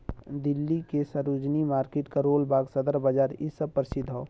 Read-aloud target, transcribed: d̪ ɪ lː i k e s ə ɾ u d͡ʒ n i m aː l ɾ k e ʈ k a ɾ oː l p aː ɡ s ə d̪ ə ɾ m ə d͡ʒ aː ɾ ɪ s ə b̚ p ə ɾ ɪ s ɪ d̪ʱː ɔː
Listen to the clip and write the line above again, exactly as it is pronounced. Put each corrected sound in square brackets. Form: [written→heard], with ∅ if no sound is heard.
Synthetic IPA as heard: d̪ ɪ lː i k e s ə ɾ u d͡ʒ n i m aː [l→∅] ɾ k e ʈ k a ɾ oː l [p→b] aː ɡ s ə d̪ ə ɾ [m→b] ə d͡ʒ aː ɾ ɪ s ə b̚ p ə ɾ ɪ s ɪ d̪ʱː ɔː

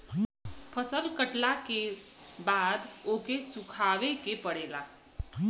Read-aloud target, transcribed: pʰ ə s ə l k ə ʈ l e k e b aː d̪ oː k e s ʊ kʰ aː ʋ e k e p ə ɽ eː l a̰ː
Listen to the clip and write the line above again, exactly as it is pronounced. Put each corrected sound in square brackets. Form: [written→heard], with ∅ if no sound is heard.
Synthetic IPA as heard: pʰ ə s ə l k ə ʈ l [e→a] k e b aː d̪ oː k e s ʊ kʰ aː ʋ e k e p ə ɽ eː l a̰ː

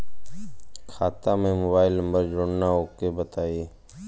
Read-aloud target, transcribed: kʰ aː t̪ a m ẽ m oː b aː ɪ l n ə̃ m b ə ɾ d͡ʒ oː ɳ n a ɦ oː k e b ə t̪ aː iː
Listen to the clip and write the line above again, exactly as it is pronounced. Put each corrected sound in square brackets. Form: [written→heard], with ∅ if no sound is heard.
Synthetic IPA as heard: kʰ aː t̪ a m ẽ m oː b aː ɪ l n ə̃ m b ə ɾ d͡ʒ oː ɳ n a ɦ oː k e b ə t̪ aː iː

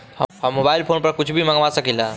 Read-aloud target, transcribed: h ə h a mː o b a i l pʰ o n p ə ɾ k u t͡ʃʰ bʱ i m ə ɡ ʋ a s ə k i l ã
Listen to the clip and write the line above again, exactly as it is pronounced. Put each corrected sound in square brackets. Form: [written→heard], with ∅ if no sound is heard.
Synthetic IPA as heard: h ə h [a→ə] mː o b a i l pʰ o n p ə ɾ k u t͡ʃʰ bʱ i m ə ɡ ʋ a s ə k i l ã

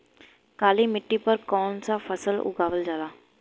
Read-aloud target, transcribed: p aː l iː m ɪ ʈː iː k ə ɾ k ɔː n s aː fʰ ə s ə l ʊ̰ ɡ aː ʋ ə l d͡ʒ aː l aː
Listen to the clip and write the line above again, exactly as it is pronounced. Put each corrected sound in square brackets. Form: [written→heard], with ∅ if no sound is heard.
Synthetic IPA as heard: [p→k] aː l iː m ɪ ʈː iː [k→p] ə ɾ k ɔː n s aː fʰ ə s ə l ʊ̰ ɡ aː ʋ ə l d͡ʒ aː l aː

